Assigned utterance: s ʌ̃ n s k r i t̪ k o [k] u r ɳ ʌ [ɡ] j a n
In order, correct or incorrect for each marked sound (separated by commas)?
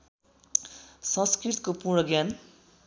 incorrect, correct